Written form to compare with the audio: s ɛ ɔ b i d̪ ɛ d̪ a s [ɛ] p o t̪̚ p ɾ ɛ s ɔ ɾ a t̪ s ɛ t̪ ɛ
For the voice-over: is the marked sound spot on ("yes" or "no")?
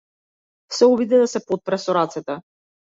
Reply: yes